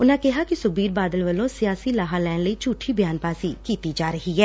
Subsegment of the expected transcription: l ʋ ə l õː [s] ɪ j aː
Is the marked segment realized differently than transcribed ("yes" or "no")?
no